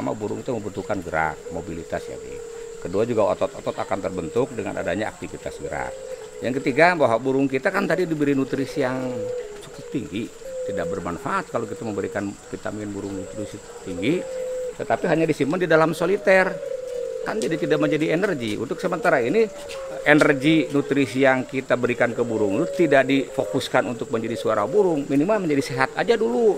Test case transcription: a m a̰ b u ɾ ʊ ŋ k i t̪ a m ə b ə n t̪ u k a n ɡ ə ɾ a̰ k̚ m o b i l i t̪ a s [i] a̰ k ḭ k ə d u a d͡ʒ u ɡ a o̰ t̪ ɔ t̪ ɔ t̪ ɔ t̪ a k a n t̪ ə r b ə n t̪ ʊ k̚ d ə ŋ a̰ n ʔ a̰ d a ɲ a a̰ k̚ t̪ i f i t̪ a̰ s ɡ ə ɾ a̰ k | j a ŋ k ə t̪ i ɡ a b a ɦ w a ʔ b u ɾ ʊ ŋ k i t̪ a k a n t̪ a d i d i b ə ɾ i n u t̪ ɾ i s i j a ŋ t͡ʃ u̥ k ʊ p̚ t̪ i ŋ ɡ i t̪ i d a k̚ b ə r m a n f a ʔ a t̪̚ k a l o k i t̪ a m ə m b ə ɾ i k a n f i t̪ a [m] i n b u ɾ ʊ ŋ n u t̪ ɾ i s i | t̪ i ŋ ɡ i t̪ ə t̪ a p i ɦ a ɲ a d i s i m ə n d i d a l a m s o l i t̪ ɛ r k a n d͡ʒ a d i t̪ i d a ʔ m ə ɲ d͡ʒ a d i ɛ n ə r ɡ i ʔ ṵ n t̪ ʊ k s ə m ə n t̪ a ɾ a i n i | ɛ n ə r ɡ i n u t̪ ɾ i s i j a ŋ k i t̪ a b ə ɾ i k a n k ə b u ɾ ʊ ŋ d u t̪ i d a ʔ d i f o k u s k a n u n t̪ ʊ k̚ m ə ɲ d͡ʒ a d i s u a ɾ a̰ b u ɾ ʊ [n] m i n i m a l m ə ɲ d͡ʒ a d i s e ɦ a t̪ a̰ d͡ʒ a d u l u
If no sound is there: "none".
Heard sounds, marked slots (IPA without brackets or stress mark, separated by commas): j, m, ŋ